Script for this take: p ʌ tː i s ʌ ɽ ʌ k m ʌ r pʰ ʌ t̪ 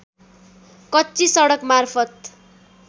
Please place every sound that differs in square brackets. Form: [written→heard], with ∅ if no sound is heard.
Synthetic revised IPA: [p→k] ʌ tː i s ʌ ɽ ʌ k m [ʌ→a] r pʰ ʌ t̪